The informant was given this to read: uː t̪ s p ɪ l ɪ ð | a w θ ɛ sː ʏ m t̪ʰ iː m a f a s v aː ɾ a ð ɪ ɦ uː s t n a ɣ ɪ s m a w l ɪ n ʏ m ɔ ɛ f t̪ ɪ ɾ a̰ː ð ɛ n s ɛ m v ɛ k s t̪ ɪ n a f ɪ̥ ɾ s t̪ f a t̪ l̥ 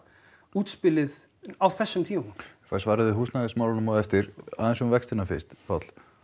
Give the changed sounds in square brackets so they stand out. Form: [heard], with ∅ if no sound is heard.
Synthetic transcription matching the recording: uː t̪ s p ɪ l ɪ ð | a w θ ɛ sː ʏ m t̪ʰ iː m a f a s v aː ɾ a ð ɪ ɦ uː s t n a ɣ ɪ s m a w l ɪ n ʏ m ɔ ɛ f t̪ ɪ ɾ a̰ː ð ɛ n s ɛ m v ɛ k s t̪ ɪ n a f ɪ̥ [∅] s t̪ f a t̪ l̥